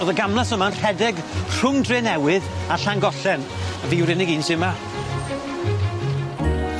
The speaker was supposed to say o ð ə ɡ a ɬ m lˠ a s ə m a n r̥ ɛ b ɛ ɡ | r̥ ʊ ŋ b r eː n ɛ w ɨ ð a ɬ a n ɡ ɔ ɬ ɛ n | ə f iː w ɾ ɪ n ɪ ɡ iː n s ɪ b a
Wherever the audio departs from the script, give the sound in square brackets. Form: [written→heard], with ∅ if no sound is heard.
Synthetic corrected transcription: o ð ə ɡ a [ɬ→∅] m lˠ a s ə m a n r̥ ɛ [b→d] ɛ ɡ | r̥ ʊ ŋ [b→d] r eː n ɛ w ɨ ð a ɬ a [n→ŋ] ɡ ɔ ɬ ɛ n | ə [f→v] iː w ɾ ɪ n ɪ ɡ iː n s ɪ [b→m] a